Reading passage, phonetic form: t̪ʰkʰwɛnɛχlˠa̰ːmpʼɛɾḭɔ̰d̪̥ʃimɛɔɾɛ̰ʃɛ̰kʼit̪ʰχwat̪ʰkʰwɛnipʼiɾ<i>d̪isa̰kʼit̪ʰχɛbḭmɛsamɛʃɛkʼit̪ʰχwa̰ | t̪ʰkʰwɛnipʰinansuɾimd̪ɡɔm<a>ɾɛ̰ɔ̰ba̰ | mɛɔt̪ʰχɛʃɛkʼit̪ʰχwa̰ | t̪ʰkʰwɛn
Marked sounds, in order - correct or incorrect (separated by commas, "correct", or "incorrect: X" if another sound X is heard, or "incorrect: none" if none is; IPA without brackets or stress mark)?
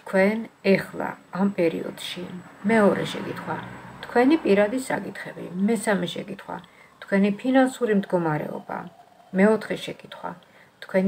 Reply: incorrect: a, correct